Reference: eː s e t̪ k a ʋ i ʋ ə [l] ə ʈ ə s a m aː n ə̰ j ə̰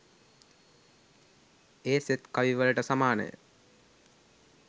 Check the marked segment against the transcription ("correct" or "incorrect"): correct